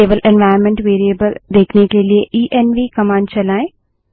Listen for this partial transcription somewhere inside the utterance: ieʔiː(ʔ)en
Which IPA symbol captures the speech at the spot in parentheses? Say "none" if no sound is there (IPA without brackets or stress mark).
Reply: ʔ